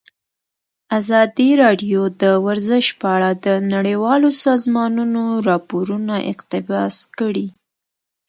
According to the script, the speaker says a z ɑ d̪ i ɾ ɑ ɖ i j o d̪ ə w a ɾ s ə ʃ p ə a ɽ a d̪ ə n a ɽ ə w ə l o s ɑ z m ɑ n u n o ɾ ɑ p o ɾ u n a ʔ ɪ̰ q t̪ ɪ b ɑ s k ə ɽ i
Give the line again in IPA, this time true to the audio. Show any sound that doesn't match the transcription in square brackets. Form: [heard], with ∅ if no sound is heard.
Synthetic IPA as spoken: a z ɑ d̪ i ɾ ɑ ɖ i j o d̪ ə w a ɾ [z] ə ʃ p ə a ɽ a d̪ ə n a ɽ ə w [ɑ] l o s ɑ z m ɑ n u n o ɾ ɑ p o ɾ u n a ʔ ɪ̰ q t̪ ɪ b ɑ s k ə ɽ i